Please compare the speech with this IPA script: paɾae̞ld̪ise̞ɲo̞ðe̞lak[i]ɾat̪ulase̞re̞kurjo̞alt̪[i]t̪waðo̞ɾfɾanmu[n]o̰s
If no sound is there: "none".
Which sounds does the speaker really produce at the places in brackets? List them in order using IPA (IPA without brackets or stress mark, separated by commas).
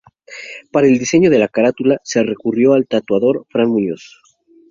a, a, ɲ